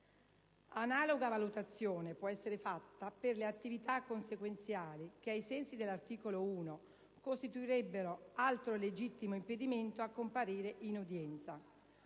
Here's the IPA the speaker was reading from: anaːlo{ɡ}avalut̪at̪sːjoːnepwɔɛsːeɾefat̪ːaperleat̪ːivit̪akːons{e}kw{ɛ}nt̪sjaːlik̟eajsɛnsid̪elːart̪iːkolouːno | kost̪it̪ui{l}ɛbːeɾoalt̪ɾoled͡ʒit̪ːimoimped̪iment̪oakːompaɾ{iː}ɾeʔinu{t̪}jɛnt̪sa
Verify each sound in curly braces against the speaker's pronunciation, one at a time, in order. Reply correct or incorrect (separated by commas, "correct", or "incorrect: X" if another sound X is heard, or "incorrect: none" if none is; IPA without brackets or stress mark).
correct, correct, incorrect: e, incorrect: ɾ, correct, incorrect: d̪